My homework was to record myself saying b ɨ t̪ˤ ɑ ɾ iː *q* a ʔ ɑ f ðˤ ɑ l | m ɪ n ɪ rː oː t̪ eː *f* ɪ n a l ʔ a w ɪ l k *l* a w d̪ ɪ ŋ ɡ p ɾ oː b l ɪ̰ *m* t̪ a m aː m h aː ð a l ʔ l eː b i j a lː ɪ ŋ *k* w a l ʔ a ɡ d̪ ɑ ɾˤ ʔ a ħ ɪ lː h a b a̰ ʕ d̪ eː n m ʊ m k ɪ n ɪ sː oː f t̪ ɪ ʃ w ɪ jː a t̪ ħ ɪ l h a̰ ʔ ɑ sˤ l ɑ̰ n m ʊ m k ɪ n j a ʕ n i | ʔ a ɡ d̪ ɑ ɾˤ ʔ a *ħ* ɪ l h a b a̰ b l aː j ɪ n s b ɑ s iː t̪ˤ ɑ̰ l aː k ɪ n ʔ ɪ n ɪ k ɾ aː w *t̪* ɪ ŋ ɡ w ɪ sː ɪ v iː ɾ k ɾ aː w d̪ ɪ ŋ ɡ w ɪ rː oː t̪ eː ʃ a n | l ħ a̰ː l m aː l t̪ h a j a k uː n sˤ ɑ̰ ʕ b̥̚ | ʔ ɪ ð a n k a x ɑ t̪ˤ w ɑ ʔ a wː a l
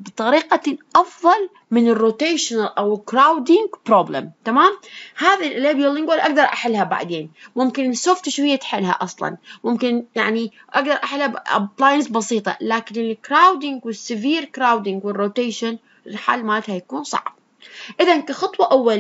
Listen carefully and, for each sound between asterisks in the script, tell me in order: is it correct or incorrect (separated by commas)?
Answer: correct, incorrect, incorrect, correct, incorrect, correct, incorrect